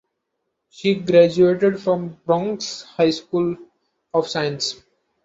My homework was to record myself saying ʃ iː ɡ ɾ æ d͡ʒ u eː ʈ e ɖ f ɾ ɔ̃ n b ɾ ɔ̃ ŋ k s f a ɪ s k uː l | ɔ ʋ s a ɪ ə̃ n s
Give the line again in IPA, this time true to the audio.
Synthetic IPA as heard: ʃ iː ɡ ɾ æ d͡ʒ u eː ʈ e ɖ f ɾ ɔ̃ m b ɾ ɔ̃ ŋ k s h a ɪ s k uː l | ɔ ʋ s a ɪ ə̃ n s